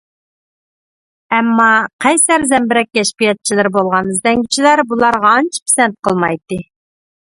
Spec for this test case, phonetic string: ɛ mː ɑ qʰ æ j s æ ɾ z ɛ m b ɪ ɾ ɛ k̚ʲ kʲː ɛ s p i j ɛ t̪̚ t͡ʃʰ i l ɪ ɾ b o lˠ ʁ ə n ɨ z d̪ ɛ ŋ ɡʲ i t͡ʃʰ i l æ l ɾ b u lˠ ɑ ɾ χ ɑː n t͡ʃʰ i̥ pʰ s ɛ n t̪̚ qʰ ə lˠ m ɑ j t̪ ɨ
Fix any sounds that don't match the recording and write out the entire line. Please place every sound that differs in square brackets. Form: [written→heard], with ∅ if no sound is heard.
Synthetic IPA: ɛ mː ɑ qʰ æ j s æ ɾ z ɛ m b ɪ ɾ ɛ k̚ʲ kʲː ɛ [s→ʃ] p i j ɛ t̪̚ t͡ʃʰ i l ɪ ɾ b o lˠ ʁ [ə→ɑ] n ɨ z d̪ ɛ ŋ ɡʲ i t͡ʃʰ i l æ [l→∅] ɾ b u lˠ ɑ ɾ [χ→ʁ] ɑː n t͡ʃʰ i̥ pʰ s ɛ n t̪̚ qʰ ə lˠ m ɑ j t̪ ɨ